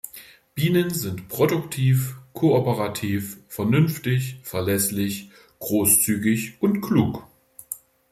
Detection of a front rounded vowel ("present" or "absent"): present